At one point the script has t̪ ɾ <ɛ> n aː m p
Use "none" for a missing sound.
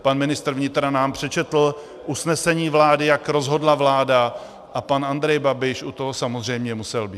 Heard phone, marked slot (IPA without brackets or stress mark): a